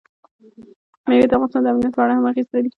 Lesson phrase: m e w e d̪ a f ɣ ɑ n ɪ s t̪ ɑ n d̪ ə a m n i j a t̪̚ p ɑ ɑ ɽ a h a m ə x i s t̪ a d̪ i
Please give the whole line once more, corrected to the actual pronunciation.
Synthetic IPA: m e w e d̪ a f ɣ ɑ n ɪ s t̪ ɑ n d̪ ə a m n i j a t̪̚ p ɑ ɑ ɽ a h a m a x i s t̪ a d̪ i